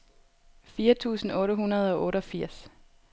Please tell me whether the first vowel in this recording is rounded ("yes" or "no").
no